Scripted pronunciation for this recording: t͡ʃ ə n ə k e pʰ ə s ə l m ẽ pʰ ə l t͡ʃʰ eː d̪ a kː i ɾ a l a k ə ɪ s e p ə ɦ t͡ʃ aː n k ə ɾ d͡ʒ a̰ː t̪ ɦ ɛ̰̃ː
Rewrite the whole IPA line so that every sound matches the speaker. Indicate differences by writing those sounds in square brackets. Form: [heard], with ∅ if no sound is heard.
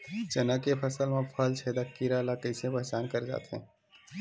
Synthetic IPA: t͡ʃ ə n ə k e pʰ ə s ə l m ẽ pʰ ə l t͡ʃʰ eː d̪ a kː i ɾ a l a k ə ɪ s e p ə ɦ t͡ʃ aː n k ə ɾ d͡ʒ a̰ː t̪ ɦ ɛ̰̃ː